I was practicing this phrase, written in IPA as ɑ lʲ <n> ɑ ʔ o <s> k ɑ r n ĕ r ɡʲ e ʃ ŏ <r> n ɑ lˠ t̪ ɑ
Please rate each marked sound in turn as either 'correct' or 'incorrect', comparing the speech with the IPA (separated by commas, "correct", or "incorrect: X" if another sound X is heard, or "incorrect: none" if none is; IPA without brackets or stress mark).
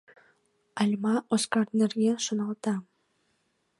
incorrect: m, correct, incorrect: none